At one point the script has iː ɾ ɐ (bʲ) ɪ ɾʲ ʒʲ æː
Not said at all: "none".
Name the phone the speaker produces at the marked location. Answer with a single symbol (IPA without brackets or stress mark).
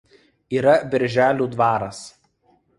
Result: bʲ